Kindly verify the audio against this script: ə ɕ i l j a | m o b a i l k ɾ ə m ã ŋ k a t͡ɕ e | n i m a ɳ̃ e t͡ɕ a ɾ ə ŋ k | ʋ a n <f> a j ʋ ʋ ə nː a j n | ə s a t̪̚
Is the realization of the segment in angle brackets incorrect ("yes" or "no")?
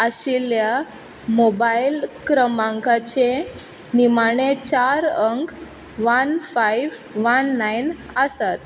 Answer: no